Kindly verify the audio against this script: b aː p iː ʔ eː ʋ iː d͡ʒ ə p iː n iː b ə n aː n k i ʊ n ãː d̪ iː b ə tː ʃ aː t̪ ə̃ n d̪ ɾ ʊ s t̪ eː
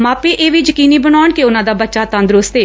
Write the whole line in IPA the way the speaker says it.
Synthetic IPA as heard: m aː p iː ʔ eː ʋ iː d͡ʒ ə k iː n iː b ə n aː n k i ʊ n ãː d̪ aː b ə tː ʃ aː t̪ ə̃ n d̪ ɾ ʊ s t̪ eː